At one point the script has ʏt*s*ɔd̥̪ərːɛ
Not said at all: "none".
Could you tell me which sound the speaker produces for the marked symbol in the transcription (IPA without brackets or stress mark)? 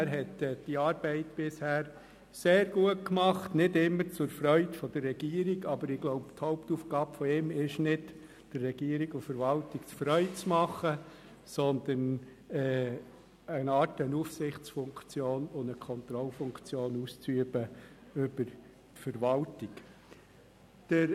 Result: f